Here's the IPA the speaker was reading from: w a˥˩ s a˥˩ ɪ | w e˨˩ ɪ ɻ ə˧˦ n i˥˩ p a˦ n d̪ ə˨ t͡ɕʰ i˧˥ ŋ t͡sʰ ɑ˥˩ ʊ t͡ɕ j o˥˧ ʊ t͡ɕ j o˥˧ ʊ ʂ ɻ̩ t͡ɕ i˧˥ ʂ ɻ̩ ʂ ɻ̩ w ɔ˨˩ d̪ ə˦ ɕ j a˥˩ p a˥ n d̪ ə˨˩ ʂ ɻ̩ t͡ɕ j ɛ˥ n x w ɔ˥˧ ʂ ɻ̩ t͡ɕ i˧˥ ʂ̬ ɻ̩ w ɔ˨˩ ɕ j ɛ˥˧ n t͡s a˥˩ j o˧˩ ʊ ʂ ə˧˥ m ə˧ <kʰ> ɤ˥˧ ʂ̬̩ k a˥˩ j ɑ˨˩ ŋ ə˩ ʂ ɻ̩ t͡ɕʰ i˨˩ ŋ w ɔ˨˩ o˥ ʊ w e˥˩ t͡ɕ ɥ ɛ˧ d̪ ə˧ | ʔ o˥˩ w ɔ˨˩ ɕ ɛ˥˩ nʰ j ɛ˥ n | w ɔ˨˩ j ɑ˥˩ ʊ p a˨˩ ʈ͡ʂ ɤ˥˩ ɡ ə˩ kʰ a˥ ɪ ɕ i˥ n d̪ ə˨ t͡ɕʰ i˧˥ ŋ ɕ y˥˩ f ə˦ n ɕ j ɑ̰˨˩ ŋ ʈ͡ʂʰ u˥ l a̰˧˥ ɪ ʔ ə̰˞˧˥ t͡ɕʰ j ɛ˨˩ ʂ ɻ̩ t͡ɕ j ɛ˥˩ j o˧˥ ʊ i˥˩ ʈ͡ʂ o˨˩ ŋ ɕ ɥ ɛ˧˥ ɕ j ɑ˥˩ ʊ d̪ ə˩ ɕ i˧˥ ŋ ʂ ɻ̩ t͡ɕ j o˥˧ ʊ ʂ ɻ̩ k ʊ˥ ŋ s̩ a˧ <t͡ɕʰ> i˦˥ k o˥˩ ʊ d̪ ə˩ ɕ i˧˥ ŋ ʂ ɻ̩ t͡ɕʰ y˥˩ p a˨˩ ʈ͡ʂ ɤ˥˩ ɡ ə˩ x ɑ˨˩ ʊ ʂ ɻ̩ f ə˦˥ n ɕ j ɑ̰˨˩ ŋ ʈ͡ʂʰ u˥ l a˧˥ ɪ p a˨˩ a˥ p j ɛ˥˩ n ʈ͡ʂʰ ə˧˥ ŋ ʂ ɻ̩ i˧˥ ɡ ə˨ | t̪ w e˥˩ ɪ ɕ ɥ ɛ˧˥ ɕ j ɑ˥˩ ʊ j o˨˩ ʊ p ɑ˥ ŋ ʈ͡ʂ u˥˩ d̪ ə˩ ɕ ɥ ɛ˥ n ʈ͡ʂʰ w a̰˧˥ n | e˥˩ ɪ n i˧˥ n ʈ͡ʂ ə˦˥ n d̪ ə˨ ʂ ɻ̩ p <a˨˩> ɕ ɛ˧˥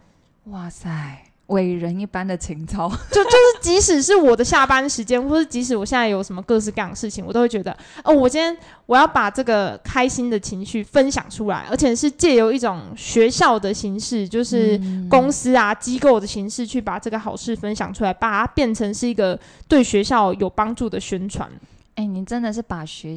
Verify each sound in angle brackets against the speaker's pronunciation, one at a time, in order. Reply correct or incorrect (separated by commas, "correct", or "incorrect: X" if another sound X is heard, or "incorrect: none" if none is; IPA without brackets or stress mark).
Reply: incorrect: k, incorrect: t͡ɕ, correct